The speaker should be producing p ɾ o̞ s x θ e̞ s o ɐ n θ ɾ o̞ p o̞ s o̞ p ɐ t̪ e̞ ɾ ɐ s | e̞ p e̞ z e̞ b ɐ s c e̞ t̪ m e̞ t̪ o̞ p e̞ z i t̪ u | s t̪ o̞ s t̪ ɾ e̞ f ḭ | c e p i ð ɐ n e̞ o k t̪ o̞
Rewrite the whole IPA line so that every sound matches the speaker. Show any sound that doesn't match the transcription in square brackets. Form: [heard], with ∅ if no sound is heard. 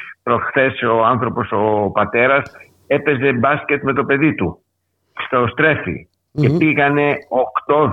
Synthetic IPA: p ɾ o̞ s x θ e̞ s o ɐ n θ ɾ o̞ p o̞ s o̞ p ɐ t̪ e̞ ɾ ɐ s | e̞ p e̞ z e̞ b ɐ s c e̞ t̪ m e̞ t̪ o̞ p e̞ [ð] i t̪ u | s t̪ o̞ s t̪ ɾ e̞ f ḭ | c e p i [ɣ] ɐ n e̞ o k t̪ o̞